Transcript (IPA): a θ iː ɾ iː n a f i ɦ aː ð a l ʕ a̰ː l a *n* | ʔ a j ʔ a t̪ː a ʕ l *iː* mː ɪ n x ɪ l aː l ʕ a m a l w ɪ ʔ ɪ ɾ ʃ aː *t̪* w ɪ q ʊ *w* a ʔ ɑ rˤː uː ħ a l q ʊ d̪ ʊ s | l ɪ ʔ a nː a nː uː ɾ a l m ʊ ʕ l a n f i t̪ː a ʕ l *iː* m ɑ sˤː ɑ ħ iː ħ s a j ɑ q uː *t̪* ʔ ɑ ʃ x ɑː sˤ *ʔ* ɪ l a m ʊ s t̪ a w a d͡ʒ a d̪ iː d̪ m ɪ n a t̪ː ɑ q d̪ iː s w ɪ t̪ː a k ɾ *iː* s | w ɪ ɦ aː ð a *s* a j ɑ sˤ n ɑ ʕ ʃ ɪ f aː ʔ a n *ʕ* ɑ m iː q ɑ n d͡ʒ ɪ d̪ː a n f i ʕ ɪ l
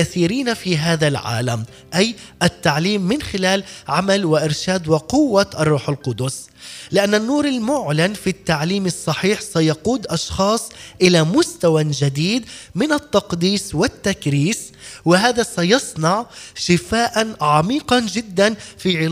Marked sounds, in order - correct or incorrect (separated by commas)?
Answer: incorrect, correct, incorrect, incorrect, correct, incorrect, correct, correct, correct, correct